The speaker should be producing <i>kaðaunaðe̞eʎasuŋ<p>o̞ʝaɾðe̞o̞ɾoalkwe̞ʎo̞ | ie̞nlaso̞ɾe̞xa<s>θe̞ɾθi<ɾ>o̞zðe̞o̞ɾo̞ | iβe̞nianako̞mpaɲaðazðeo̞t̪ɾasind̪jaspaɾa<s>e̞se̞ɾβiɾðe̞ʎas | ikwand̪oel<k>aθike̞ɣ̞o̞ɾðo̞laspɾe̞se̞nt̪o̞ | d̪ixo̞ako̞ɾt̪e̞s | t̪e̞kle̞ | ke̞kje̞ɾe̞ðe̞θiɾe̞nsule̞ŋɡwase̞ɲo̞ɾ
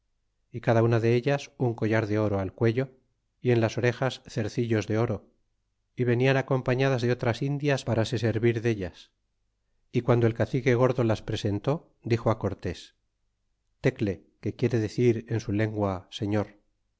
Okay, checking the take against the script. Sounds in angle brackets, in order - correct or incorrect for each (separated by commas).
correct, incorrect, correct, incorrect, correct, correct